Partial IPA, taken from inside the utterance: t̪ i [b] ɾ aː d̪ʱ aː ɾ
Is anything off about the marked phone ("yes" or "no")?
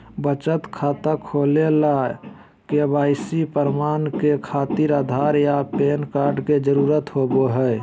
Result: yes